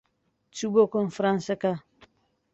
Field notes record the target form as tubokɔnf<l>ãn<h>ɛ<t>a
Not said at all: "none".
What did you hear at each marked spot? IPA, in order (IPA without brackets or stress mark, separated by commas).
ɾ, s, k